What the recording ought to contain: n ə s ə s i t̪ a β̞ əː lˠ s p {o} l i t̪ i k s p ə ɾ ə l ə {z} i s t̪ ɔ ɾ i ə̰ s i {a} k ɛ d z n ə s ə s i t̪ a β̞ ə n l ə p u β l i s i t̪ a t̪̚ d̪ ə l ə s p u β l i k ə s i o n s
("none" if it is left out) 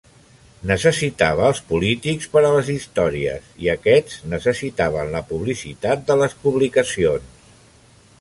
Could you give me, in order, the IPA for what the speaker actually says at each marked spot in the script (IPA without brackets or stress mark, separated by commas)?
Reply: u, z, ə